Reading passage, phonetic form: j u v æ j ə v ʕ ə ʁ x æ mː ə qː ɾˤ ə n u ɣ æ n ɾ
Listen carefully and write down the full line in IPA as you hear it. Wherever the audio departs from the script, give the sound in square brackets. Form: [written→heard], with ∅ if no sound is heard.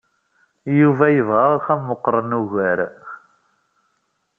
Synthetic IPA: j u v æ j ə v [ʕ→ʁ] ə ʁ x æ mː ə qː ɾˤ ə n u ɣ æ [n→∅] ɾ

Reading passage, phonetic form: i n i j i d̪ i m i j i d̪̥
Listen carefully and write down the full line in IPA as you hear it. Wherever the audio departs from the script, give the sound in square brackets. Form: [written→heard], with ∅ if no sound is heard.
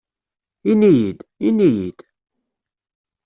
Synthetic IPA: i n i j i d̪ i [m→n] i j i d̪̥

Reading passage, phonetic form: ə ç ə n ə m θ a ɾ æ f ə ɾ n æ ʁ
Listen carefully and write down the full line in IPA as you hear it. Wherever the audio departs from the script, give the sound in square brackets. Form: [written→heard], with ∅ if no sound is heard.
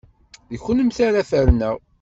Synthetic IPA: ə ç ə n ə m θ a ɾ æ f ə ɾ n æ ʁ

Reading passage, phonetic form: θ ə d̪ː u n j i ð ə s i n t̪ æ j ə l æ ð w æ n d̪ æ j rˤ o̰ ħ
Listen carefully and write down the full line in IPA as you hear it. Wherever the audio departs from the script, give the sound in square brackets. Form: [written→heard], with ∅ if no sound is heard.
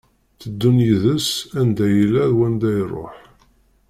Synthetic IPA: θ ə d̪ː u n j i ð ə s [i→æ] n [t̪→d̪] æ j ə l æ ð w æ n d̪ æ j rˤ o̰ ħ

